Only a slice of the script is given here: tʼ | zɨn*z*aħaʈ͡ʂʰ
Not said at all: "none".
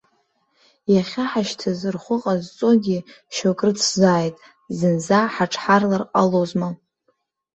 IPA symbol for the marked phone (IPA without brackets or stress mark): z